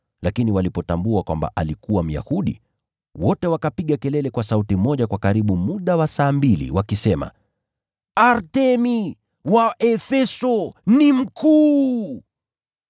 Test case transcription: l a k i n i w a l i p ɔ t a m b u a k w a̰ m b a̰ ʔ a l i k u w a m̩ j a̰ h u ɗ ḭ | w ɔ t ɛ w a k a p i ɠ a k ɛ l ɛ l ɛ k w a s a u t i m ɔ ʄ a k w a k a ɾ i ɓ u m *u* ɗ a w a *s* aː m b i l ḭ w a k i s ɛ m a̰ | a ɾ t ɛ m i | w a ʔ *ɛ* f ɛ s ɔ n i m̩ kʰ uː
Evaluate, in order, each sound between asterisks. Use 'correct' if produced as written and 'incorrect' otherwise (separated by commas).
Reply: correct, correct, correct